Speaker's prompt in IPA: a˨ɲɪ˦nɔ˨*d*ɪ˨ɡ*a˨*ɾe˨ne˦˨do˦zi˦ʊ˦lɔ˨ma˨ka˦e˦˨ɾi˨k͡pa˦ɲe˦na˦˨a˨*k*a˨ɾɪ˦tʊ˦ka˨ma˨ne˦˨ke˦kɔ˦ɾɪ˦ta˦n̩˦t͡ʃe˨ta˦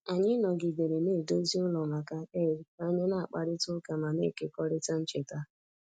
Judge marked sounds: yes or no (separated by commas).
no, no, no